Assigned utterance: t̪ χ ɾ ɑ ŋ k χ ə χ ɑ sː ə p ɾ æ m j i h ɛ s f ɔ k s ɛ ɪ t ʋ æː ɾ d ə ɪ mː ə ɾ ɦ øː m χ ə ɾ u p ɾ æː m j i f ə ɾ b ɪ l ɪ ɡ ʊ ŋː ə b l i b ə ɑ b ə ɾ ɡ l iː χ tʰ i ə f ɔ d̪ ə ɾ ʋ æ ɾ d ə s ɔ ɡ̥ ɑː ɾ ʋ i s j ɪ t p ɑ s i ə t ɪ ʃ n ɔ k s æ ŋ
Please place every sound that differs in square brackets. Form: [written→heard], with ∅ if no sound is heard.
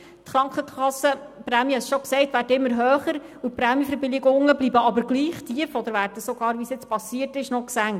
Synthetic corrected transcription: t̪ χ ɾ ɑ ŋ k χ ə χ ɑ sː ə p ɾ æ m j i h ɛ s [f→ʃ] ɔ k s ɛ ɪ t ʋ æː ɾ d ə ɪ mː ə ɾ ɦ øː [m→∅] χ ə ɾ u p ɾ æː m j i f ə ɾ b ɪ l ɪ ɡ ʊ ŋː ə b l i b ə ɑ b ə ɾ ɡ l iː χ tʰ i ə f ɔ d̪ ə ɾ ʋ æ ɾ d ə s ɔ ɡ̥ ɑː ɾ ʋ i s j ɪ [t→t͡s] p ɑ s i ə t ɪ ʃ n ɔ k s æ ŋ